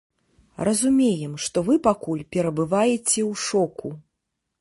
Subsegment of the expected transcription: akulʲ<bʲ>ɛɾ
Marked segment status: incorrect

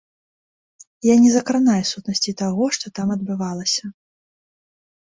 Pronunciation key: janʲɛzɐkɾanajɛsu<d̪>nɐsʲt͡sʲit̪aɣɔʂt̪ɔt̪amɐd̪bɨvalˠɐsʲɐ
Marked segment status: incorrect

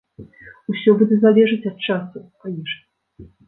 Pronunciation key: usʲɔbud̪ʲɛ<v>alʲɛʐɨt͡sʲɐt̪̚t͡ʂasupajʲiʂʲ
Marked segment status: incorrect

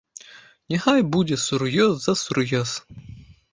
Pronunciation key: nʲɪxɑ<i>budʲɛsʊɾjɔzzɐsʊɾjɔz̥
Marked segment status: incorrect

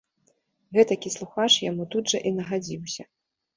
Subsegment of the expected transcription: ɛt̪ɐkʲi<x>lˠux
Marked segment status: incorrect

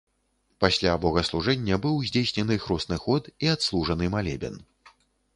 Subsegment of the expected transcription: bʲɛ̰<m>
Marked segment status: incorrect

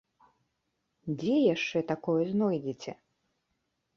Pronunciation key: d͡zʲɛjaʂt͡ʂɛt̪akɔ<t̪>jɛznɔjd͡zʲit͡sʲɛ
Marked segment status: incorrect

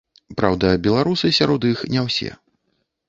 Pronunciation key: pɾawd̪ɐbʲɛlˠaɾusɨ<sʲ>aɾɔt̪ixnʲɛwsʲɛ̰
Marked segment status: correct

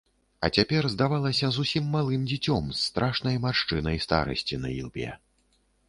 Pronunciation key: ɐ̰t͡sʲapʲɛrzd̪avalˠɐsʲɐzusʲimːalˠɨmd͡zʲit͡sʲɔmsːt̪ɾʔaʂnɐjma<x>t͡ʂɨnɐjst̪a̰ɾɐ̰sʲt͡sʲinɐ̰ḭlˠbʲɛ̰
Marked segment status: incorrect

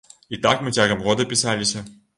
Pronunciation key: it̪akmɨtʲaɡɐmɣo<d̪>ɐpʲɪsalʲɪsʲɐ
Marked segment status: correct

